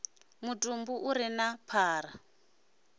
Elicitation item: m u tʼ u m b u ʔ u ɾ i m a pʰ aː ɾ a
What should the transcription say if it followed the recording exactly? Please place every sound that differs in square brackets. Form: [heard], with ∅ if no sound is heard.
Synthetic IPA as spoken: m u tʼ u m b u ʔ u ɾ i [n] a pʰ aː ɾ a